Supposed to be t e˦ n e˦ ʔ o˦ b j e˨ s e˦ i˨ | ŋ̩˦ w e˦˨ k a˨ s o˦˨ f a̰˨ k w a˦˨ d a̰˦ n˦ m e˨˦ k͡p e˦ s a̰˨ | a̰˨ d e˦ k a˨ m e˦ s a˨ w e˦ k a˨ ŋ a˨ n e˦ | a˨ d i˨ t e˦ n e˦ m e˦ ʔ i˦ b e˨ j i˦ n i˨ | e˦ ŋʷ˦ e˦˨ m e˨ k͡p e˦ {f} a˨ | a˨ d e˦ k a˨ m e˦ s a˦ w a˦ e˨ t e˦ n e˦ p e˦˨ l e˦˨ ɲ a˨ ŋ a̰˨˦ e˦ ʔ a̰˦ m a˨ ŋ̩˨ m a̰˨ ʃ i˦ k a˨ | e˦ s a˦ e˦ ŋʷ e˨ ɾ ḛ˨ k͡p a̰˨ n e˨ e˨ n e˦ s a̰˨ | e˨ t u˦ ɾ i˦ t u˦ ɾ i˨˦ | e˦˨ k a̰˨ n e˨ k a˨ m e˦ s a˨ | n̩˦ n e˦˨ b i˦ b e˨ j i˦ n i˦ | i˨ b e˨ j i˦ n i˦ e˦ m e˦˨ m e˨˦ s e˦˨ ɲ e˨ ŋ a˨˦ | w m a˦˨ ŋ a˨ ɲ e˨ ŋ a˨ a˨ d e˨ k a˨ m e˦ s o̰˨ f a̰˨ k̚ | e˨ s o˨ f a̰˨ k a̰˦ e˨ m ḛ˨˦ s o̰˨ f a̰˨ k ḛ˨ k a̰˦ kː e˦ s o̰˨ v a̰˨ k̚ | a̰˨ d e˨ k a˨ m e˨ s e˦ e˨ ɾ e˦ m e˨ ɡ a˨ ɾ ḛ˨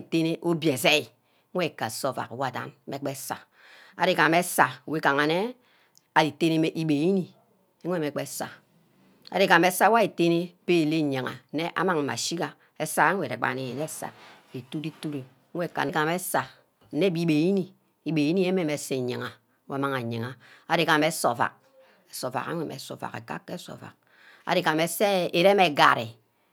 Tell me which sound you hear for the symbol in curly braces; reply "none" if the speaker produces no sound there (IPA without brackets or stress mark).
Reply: s